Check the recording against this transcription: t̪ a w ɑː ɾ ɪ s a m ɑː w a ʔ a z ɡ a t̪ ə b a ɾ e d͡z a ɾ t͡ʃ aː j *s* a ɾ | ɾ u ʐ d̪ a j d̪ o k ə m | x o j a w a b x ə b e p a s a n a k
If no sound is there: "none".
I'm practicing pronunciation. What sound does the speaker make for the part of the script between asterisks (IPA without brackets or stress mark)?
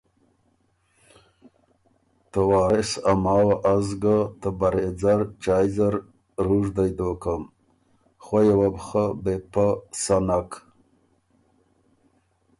z